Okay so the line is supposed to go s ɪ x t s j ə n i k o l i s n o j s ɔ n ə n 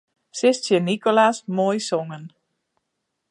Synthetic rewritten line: s ɪ s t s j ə n i k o l a s m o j s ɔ ŋ ə n